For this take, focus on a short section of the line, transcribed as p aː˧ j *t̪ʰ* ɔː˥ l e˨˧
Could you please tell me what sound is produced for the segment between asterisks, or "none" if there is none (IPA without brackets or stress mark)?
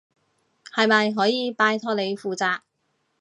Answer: t̪ʰ